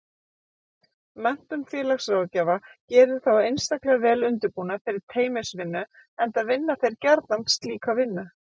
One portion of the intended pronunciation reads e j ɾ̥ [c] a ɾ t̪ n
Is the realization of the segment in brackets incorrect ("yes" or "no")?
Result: no